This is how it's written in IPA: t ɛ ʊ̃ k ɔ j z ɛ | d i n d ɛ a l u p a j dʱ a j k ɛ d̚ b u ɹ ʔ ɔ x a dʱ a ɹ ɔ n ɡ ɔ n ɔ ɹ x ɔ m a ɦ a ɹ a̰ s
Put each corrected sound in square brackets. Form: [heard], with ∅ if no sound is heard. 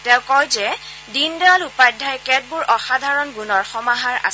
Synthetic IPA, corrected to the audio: t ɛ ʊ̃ k ɔ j z ɛ | d i n d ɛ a l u p a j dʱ a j k ɛ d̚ b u ɹ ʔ ɔ x a dʱ a ɹ ɔ n ɡ [u] n ɔ ɹ x ɔ m a ɦ a ɹ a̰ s